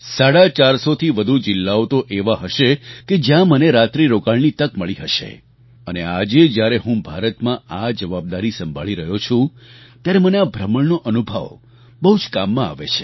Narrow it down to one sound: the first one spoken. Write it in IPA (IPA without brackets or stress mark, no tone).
s